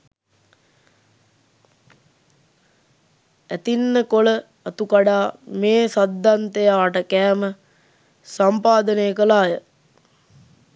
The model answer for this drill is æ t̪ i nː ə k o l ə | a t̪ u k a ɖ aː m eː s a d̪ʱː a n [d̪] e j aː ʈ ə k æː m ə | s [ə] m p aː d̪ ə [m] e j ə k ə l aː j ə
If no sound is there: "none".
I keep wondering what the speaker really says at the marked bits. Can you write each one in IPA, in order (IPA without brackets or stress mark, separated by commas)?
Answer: t̪, a, n